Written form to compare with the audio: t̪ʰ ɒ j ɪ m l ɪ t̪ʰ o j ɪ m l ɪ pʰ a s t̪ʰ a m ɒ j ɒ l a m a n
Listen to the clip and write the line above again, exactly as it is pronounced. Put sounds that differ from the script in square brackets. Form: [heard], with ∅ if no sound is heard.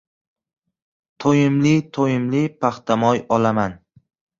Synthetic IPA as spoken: t̪ʰ [o] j ɪ m l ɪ t̪ʰ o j ɪ m l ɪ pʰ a [χ] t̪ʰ a m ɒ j ɒ l a m a n